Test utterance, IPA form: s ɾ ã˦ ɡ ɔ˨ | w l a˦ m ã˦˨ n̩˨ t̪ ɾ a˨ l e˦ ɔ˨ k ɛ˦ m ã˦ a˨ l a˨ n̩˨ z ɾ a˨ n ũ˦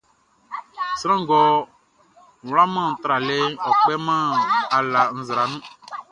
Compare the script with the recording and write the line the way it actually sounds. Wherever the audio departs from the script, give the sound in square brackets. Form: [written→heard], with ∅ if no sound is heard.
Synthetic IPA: s ɾ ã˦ ɡ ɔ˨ | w l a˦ m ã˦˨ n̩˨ t̪ ɾ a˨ l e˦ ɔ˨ [k→k͡p] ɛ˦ m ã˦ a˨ l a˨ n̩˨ z ɾ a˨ n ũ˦